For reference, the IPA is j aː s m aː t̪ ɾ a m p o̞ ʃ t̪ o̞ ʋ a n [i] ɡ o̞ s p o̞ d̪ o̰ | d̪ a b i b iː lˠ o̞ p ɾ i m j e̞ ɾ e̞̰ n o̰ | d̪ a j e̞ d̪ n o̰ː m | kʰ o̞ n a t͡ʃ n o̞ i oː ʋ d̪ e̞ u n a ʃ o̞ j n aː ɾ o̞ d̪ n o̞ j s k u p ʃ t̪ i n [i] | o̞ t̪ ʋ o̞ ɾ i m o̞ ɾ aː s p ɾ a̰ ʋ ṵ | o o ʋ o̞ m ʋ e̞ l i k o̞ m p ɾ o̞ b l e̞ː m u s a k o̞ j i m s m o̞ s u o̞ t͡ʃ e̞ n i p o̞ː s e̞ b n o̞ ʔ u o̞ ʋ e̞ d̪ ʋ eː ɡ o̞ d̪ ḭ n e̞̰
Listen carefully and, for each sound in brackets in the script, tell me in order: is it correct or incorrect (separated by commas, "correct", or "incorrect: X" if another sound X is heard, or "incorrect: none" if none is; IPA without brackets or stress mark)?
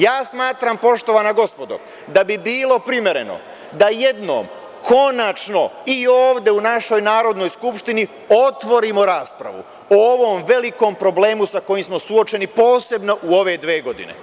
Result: incorrect: a, correct